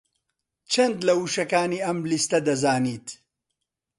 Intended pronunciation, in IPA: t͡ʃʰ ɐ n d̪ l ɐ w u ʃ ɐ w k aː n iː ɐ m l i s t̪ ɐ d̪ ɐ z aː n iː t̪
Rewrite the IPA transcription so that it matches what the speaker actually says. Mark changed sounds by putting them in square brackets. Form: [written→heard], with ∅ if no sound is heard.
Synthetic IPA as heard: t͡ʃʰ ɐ n d̪ l ɐ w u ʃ ɐ [w→∅] k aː n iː ɐ m l i s t̪ ɐ d̪ ɐ z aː n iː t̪